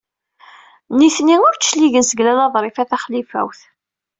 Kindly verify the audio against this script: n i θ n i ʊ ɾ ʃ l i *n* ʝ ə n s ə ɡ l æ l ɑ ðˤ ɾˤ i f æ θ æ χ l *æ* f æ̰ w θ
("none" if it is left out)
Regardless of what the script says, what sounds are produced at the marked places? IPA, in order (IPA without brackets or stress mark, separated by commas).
none, i